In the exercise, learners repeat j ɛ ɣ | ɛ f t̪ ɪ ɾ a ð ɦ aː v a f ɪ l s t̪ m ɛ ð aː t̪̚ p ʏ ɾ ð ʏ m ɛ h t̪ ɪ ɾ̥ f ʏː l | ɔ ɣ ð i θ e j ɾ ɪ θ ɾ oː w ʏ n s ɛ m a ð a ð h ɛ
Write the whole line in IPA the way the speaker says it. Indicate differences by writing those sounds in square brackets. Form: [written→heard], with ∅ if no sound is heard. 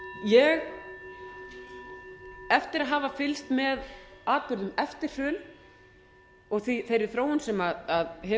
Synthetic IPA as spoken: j ɛ ɣ | ɛ f t̪ ɪ ɾ a ð ɦ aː v a f ɪ l s t̪ m ɛ ð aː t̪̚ p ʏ ɾ ð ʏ m ɛ [h→f] t̪ ɪ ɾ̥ f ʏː l | ɔ ɣ [ð→θ] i θ e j ɾ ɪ θ ɾ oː w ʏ n s ɛ m a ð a ð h ɛ